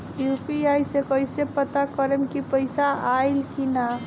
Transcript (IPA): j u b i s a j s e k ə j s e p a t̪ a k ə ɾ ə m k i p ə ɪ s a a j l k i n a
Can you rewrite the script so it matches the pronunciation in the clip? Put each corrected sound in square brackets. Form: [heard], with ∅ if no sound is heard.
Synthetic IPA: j u [p] i [∅] a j s e k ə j s e p [ə] t̪ a k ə ɾ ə m k i p ə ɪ s a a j l k i n a